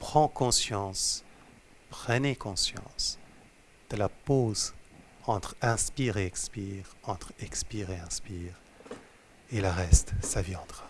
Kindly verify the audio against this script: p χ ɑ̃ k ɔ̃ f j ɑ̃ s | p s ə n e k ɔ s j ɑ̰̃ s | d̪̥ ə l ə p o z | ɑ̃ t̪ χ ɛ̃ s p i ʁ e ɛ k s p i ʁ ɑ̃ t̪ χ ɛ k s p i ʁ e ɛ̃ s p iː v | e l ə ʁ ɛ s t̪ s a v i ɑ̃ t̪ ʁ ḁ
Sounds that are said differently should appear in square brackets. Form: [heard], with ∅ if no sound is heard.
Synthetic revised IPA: p χ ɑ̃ k ɔ̃ [s] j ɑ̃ s | p [χ] ə n e k [ɔ̃] s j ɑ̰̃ s | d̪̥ ə l [a] p o z | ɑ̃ t̪ χ ɛ̃ s p i ʁ e ɛ k s p i ʁ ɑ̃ t̪ χ ɛ k s p i ʁ e ɛ̃ s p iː [ʁ] | e l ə ʁ ɛ s t̪ s a v i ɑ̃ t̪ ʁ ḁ